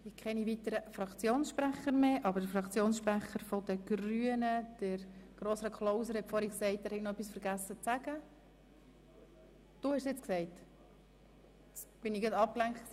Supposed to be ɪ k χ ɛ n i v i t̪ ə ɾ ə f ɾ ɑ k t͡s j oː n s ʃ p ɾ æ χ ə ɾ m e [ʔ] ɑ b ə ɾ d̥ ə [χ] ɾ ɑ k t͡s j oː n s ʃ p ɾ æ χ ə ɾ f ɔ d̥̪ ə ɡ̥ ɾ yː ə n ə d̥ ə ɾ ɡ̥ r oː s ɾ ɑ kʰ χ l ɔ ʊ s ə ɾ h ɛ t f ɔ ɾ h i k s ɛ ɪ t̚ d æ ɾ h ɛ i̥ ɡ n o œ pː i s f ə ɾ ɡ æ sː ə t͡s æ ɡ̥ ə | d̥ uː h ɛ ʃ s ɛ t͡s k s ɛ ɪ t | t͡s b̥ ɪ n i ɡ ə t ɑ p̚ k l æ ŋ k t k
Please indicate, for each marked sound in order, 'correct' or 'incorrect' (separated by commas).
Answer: correct, incorrect